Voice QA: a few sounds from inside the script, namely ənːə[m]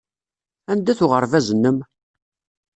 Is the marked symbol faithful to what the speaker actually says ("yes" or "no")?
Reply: yes